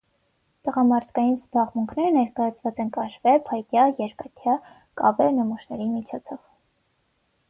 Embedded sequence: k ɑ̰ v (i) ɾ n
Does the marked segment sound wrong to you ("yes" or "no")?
yes